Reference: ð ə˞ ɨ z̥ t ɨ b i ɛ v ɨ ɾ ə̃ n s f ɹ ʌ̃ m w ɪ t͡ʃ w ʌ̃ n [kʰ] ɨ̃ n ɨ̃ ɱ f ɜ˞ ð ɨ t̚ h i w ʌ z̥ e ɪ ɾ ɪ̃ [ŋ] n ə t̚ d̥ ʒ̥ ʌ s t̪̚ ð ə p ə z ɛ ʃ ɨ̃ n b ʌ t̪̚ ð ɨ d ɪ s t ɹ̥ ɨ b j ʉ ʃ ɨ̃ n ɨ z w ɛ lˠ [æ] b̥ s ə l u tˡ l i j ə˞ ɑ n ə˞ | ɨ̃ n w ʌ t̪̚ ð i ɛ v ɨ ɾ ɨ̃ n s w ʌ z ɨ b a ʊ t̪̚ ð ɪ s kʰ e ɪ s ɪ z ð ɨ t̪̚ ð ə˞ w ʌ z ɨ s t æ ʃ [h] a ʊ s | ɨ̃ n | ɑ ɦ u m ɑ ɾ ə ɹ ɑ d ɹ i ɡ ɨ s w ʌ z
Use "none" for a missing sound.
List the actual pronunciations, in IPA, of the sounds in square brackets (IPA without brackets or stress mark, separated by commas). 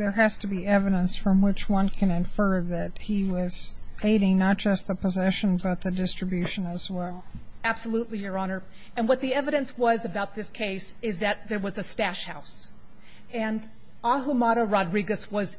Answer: kʰ, ŋ, æ, h